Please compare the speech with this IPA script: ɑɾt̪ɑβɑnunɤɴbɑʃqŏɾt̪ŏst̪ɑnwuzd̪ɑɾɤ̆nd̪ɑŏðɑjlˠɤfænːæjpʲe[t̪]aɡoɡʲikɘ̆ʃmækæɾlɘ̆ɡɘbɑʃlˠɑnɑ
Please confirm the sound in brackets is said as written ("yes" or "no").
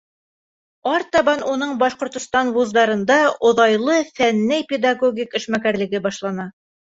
no